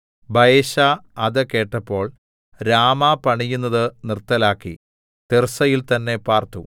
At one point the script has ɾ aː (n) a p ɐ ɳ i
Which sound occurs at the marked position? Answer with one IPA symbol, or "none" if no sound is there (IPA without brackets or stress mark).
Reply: m